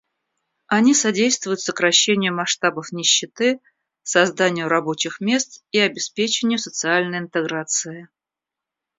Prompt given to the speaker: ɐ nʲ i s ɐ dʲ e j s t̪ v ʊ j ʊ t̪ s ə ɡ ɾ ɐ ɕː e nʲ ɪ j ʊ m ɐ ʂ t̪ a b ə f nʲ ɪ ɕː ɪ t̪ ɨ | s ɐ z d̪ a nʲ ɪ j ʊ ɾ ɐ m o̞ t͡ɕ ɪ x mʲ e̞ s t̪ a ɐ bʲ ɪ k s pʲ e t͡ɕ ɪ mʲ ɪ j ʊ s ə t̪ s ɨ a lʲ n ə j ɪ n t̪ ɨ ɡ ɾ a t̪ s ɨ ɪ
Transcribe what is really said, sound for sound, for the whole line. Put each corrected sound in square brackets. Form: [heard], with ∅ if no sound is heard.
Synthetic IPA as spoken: ɐ nʲ i s ɐ dʲ e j s t̪ v ʊ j ʊ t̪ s ə [k] ɾ ɐ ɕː e nʲ ɪ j ʊ m ɐ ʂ t̪ a b ə f nʲ ɪ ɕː ɪ t̪ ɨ | s ɐ z d̪ a nʲ ɪ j ʊ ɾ ɐ [b] o̞ t͡ɕ ɪ x mʲ e̞ s t̪ [i] ɐ bʲ ɪ [∅] s pʲ e t͡ɕ ɪ [nʲ] ɪ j ʊ s ə t̪ s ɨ a lʲ n ə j ɪ n t̪ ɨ ɡ ɾ a t̪ s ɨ ɪ